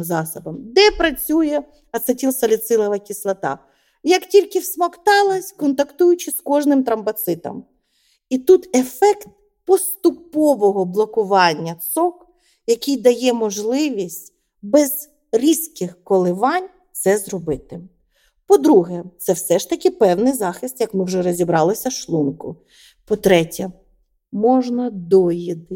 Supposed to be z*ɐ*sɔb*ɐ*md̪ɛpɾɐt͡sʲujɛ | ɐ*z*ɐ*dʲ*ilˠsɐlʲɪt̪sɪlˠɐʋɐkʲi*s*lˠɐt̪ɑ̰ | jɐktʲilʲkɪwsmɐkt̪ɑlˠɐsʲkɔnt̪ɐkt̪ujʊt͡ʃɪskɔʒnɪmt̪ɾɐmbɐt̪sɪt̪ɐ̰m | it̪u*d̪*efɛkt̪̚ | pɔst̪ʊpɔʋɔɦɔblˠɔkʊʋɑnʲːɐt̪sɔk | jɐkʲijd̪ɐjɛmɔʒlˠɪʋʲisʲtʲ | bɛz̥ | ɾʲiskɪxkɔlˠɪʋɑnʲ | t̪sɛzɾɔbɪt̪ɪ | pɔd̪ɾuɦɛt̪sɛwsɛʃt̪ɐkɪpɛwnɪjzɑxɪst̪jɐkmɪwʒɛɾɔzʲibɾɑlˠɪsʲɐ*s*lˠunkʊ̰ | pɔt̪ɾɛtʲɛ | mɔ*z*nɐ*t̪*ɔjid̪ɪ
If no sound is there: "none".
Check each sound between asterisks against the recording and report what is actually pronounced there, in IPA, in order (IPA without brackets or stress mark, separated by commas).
ɑ, ɐ, s, tʲ, s, t̪, ʃ, ʒ, d̪